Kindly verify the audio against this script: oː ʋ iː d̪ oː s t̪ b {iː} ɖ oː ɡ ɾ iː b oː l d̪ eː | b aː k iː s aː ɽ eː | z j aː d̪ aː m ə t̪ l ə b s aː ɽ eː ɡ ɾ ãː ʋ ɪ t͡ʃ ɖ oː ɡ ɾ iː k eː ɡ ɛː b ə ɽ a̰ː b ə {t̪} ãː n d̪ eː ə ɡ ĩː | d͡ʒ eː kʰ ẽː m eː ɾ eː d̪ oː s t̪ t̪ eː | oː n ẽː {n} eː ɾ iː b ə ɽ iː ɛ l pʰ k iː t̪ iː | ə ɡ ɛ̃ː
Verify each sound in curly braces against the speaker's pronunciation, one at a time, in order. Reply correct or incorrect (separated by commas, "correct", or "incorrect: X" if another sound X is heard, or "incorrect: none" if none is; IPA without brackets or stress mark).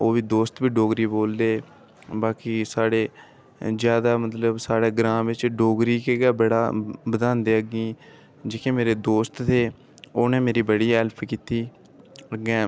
correct, incorrect: d̪, incorrect: m